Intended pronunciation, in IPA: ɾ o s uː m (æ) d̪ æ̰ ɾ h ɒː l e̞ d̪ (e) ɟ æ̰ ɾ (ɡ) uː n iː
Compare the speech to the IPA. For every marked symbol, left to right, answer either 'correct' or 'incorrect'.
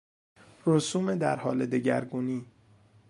incorrect: e, correct, correct

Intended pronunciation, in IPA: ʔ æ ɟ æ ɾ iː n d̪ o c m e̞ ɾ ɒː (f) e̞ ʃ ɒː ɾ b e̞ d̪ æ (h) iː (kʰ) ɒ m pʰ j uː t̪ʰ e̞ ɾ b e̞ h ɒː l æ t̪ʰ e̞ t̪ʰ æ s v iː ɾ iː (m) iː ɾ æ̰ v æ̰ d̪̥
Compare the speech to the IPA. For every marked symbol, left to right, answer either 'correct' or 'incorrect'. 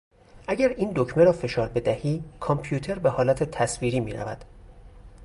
correct, correct, correct, correct

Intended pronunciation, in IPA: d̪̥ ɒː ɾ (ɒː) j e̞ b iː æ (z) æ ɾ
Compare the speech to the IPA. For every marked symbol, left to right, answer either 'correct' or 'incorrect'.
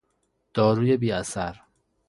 incorrect: uː, incorrect: s

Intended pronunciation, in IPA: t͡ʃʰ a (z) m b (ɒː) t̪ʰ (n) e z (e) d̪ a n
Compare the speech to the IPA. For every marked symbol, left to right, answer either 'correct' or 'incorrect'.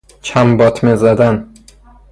incorrect: none, incorrect: ɒ, incorrect: m, incorrect: a

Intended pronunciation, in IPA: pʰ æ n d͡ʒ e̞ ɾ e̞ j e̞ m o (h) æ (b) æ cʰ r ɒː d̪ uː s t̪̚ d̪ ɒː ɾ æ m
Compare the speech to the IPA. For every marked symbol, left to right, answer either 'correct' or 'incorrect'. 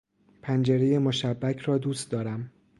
incorrect: ʃ, incorrect: bː

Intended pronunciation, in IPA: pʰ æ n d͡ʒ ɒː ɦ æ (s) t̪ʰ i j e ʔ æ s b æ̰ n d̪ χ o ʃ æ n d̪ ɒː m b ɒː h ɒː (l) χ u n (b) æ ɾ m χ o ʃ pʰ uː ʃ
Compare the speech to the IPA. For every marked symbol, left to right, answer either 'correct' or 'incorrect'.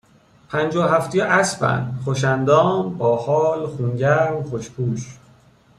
incorrect: f, correct, incorrect: ɟ

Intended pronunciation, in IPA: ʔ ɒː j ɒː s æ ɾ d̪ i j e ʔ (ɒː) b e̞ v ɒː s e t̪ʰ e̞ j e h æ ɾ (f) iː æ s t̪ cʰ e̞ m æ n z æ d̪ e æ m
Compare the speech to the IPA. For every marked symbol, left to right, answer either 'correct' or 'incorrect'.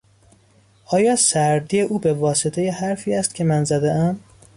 incorrect: uː, correct

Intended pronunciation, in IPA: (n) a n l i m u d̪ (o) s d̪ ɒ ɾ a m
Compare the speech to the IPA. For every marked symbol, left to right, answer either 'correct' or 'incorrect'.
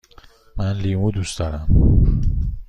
incorrect: m, incorrect: u

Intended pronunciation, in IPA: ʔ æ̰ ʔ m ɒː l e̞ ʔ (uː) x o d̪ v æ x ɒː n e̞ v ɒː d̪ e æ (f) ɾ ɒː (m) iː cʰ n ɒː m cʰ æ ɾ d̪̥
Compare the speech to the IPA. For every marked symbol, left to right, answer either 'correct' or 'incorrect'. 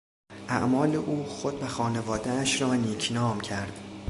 correct, incorrect: ʃ, incorrect: n

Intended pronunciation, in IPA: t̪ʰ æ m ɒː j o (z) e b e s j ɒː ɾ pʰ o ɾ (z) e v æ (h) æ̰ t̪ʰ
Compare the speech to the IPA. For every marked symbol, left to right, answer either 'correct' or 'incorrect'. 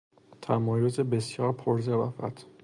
correct, correct, incorrect: f

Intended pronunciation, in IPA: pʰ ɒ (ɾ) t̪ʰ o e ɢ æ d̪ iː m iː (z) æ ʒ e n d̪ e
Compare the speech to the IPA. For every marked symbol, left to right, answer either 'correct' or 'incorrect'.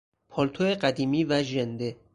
incorrect: l, incorrect: v

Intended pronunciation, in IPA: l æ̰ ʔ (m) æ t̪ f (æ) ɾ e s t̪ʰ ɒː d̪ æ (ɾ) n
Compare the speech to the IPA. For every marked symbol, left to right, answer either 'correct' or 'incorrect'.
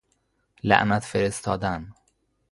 incorrect: n, incorrect: e, incorrect: none

